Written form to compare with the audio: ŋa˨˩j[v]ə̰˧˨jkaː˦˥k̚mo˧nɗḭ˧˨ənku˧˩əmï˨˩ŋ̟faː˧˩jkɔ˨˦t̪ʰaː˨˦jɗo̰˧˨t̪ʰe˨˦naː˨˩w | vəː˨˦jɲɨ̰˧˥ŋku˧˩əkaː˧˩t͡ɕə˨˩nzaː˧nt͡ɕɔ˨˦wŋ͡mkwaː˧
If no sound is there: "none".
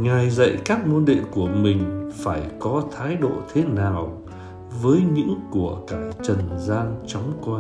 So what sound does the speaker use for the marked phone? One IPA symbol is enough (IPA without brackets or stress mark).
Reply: z